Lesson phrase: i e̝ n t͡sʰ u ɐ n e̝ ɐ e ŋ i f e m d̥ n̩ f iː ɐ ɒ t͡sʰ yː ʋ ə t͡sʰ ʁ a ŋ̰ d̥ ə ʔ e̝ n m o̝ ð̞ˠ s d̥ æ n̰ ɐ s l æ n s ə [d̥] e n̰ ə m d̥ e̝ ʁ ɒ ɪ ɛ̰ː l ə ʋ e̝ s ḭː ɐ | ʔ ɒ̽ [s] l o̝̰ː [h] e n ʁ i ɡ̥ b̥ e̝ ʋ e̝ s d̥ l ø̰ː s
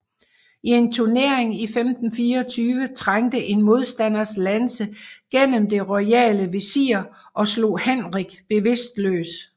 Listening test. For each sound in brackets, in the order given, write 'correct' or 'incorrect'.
incorrect: ɡ̥, correct, correct

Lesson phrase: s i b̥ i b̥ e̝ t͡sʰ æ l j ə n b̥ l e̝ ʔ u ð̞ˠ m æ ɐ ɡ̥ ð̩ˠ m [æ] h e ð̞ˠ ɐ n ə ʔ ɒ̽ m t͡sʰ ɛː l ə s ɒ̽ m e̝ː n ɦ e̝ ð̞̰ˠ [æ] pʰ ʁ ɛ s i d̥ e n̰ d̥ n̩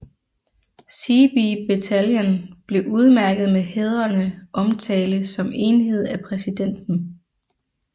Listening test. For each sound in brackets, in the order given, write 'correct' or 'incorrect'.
incorrect: e, correct

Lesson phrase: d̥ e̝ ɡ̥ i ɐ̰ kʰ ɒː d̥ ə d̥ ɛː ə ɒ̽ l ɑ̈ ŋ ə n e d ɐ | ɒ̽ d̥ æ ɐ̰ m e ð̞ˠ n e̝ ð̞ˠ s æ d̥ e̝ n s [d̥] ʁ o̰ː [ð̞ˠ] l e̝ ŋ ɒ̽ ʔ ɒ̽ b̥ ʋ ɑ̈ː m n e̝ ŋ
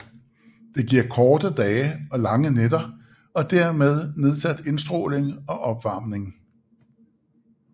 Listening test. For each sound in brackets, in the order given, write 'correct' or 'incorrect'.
correct, incorrect: none

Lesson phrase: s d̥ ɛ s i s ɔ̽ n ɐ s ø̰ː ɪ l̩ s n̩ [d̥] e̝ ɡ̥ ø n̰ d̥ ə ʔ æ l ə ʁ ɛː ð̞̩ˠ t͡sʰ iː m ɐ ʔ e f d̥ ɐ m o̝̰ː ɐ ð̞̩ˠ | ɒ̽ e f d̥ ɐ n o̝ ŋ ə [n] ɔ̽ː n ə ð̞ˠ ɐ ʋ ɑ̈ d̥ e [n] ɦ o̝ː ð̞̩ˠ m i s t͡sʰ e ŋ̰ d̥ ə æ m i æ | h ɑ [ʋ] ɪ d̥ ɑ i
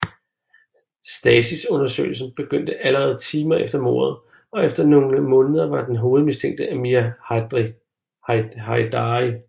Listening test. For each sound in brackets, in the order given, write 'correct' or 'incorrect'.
incorrect: b̥, incorrect: m, correct, incorrect: none

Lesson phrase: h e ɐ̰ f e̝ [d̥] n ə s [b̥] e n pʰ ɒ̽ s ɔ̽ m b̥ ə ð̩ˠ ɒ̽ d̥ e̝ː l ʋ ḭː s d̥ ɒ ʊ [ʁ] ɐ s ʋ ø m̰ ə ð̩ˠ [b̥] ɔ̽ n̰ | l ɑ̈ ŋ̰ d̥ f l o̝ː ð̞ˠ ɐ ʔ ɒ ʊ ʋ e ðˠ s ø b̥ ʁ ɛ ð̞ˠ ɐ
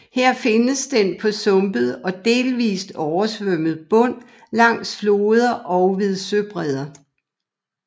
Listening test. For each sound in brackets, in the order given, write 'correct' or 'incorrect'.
incorrect: none, incorrect: d̥, incorrect: none, correct

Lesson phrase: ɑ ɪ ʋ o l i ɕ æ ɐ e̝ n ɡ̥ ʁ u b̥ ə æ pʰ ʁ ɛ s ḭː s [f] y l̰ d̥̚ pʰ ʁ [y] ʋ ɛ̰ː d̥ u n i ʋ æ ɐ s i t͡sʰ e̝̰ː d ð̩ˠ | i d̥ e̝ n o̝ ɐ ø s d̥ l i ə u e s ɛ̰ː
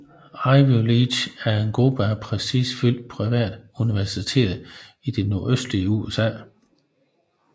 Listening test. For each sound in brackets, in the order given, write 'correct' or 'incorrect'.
correct, incorrect: i

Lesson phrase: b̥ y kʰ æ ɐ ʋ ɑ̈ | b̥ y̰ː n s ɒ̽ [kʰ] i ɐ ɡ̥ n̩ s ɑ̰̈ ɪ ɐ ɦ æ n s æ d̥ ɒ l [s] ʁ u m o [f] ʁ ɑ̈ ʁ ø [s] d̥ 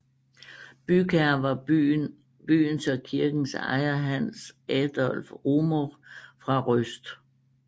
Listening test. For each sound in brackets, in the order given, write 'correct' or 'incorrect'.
correct, incorrect: f, correct, correct

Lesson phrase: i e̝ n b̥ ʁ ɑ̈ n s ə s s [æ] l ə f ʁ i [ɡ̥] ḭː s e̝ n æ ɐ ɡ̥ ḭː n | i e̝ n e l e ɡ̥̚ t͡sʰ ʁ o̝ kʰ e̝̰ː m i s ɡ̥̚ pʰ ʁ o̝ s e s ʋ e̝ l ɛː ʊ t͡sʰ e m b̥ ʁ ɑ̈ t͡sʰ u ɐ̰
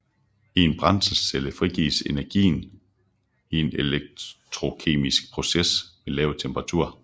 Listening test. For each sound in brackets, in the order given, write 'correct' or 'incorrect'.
incorrect: e, correct

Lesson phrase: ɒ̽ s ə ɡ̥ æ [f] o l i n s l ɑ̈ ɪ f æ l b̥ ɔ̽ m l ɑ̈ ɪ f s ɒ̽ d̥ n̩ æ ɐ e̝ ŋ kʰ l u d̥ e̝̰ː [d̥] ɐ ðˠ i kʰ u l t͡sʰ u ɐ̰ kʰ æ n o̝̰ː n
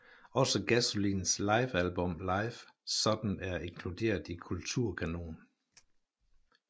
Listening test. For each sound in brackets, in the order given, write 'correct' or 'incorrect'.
incorrect: s, incorrect: none

